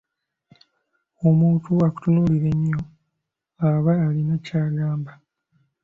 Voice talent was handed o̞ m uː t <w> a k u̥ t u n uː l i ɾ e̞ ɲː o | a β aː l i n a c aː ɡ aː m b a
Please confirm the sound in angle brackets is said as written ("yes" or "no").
no